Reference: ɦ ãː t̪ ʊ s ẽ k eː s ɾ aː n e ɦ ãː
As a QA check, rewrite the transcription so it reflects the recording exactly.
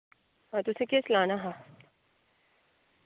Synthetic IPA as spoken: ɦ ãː t̪ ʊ s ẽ k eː s l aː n a ɦ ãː